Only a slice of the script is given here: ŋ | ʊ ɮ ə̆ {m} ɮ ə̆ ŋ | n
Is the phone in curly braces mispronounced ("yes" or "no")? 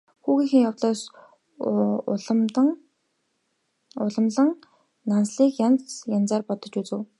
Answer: no